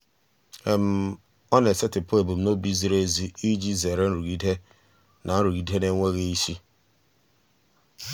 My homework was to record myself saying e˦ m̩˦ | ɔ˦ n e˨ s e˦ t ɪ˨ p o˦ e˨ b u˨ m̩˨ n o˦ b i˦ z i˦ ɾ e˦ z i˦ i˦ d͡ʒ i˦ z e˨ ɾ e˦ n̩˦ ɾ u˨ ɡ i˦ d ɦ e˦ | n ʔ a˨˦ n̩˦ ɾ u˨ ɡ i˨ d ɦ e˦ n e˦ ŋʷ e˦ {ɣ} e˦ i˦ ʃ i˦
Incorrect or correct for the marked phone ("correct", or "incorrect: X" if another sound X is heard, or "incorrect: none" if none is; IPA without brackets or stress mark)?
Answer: correct